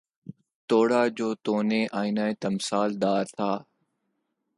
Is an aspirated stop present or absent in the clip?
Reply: present